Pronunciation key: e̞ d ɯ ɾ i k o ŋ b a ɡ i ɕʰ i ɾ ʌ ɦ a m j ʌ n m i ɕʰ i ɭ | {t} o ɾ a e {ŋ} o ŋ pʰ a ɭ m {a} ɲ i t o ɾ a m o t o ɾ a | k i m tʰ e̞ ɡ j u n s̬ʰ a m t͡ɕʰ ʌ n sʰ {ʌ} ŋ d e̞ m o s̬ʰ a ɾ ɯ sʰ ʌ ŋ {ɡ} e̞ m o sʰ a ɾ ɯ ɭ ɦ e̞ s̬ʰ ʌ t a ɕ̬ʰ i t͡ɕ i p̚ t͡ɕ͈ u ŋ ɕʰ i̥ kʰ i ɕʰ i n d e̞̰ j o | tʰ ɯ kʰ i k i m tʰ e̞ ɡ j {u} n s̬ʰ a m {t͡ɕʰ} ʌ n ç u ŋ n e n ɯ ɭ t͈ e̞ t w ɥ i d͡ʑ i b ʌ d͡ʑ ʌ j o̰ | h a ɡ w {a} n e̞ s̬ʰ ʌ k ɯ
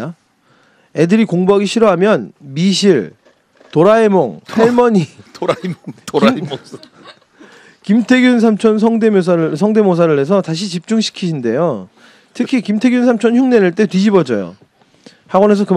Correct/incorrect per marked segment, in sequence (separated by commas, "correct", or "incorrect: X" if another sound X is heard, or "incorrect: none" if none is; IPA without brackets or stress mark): correct, incorrect: m, incorrect: ʌ, correct, incorrect: d, correct, correct, incorrect: ʌ